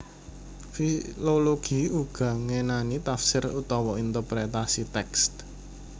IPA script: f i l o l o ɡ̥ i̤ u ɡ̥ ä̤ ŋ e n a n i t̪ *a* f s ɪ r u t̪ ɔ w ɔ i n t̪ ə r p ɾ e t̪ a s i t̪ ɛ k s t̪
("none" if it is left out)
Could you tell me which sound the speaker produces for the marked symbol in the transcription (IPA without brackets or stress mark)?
a